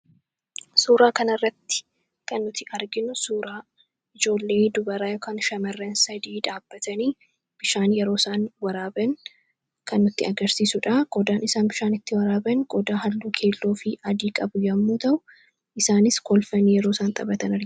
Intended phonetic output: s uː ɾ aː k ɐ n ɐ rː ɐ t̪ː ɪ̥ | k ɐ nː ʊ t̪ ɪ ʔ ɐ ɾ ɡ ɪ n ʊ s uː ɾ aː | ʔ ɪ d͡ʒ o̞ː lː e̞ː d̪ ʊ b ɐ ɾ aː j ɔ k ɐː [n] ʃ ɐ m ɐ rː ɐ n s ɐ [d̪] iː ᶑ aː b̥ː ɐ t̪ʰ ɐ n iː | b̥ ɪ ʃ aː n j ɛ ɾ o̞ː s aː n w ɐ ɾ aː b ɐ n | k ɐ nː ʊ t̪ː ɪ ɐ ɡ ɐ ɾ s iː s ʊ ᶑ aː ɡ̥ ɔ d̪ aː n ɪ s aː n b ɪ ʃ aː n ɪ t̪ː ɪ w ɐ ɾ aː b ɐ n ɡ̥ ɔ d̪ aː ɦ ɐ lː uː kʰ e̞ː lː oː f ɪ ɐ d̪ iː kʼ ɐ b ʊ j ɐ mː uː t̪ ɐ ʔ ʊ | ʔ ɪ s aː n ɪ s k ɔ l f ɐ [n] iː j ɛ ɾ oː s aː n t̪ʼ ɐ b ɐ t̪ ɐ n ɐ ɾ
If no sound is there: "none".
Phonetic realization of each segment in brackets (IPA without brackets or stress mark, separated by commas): n, d̪, n